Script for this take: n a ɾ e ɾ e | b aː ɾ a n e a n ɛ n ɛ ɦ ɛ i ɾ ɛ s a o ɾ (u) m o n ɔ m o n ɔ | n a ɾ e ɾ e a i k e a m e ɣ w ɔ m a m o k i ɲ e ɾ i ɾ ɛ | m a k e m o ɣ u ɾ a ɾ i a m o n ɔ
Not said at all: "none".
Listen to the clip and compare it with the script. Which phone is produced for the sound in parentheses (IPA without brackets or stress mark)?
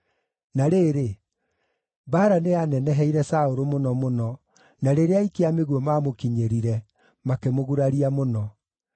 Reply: o